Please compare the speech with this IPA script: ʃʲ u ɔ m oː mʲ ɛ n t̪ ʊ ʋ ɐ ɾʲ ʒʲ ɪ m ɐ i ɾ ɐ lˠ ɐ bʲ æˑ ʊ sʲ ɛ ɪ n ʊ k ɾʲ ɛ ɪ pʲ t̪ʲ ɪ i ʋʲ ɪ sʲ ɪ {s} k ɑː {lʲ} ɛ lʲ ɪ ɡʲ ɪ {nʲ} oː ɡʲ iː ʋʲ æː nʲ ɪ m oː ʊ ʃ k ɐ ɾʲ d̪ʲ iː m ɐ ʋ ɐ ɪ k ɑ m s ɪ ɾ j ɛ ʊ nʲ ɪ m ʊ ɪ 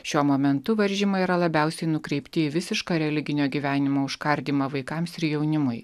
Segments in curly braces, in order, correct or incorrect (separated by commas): incorrect, incorrect, correct